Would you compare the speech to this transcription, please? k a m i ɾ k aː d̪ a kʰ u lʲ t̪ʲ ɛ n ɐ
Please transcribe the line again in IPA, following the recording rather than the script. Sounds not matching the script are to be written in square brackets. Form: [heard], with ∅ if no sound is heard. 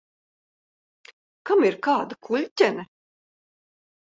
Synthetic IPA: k a m i ɾ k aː d̪ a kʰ u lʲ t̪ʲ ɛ n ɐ